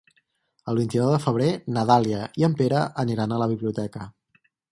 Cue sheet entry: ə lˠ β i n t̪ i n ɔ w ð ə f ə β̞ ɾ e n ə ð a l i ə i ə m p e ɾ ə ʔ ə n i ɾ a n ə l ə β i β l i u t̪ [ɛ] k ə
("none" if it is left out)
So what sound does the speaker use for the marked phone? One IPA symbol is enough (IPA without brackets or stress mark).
ɛ